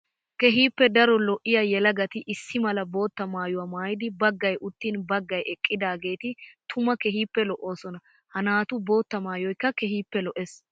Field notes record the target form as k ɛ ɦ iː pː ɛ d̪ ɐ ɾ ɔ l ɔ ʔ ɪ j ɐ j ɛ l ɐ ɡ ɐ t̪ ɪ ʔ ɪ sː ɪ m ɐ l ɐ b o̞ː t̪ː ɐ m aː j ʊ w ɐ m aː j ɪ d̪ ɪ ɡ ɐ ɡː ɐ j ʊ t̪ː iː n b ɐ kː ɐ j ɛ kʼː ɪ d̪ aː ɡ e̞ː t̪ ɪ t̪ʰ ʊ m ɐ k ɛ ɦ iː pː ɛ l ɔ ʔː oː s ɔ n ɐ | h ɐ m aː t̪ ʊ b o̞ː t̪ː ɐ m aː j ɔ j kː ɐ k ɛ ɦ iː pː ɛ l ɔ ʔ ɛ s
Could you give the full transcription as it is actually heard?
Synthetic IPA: k ɛ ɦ iː pː ɛ d̪ ɐ ɾ ɔ l ɔ ʔ ɪ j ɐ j ɛ l ɐ ɡ ɐ t̪ ɪ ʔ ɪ sː ɪ m ɐ l ɐ b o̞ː t̪ː ɐ m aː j ʊ w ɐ m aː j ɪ d̪ ɪ b ɐ ɡː ɐ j ʊ t̪ː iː n b ɐ ɡː ɐ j ɛ kʼː ɪ d̪ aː ɡ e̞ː t̪ ɪ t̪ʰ ʊ m ɐ k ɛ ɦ iː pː ɛ l ɔ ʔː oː s ɔ n ɐ | h ɐ n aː t̪ ʊ b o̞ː t̪ː ɐ m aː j ɔ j kː ɐ k ɛ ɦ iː pː ɛ l ɔ ʔ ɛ s